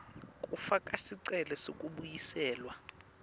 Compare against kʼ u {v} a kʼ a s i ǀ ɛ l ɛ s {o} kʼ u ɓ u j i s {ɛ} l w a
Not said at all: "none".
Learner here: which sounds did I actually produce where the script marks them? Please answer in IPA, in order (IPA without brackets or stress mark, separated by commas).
f, o, ɛː